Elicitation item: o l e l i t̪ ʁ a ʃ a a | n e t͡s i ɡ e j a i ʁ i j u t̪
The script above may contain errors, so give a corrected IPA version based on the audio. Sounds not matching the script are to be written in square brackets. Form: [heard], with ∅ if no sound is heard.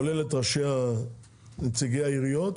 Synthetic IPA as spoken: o l e l [e] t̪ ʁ a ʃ [e] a | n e t͡s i ɡ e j a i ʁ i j [o] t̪